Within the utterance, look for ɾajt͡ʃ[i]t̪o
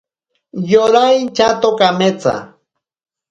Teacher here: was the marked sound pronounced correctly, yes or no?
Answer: no